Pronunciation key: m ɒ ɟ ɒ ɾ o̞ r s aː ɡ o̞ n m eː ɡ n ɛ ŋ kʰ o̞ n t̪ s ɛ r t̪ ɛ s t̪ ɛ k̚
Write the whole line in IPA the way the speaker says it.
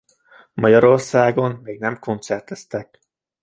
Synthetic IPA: m ɒ ɟ ɒ ɾ o̞ r s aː ɡ o̞ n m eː ɡ n ɛ m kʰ o̞ n t̪ s ɛ r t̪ ɛ s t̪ ɛ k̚